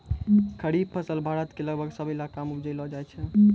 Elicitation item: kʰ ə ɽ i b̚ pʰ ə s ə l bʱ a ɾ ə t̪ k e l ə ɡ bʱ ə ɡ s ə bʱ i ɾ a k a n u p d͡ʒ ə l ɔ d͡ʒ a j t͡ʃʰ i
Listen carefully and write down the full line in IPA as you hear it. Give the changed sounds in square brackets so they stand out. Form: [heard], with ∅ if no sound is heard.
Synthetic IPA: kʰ ə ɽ i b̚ pʰ ə s ə l bʱ a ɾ ə t̪ k e l ə ɡ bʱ ə ɡ s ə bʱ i [l] a k a [m] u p d͡ʒ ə l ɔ d͡ʒ a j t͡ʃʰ [ɛ]